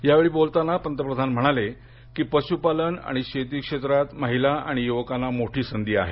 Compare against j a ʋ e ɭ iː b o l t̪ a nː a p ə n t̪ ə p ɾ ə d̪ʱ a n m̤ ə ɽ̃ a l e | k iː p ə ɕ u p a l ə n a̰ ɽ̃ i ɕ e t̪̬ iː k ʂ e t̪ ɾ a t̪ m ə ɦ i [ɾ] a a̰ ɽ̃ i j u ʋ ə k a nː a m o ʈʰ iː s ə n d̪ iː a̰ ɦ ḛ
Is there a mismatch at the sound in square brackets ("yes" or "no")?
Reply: yes